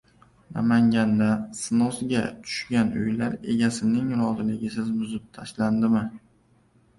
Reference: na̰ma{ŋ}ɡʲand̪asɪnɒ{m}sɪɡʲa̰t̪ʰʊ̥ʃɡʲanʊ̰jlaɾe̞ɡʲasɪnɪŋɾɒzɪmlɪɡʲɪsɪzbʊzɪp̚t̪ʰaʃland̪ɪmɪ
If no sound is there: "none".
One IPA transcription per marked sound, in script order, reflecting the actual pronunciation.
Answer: ŋ, none

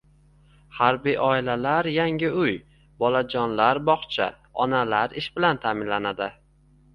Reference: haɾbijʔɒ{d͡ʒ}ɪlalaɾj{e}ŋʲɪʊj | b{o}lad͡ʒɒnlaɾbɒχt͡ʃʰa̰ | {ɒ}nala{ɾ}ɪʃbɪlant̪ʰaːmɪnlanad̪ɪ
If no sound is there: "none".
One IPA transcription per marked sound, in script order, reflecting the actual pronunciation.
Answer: none, a, ɒ, ɒ, ɾ

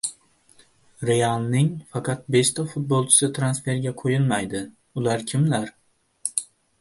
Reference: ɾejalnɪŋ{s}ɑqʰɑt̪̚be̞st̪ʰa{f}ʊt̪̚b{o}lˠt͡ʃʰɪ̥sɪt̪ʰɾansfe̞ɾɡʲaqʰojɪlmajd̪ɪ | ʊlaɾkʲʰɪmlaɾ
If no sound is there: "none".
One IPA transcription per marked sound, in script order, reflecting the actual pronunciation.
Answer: f, f, o

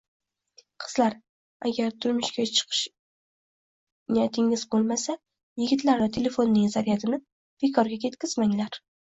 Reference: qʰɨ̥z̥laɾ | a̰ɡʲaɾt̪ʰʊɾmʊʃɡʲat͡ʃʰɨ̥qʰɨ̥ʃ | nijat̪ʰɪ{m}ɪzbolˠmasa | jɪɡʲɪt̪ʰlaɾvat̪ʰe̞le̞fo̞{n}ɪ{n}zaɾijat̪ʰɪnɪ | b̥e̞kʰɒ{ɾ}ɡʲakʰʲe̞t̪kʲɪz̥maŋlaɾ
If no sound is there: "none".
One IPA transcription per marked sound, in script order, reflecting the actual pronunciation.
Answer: ŋ, nː, ŋ, ɾ

